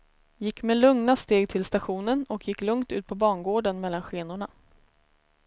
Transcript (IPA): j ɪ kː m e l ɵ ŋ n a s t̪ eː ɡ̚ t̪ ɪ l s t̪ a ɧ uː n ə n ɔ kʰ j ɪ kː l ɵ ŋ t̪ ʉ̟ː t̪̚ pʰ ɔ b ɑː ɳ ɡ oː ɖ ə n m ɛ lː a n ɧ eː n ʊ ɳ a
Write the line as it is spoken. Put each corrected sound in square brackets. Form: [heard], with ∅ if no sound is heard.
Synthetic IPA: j ɪ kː m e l ɵ ŋ n a s t̪ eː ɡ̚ [t̪ʰ] ɪ l s t̪ a ɧ uː n ə n ɔ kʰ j ɪ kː l ɵ ŋ t̪ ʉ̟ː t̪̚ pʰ ɔ b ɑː ɳ ɡ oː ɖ ə n m ɛ lː a n ɧ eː n ʊ ɳ a